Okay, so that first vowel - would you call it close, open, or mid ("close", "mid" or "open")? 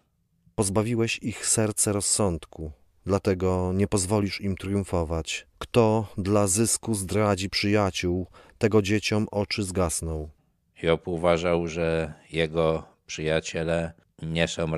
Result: mid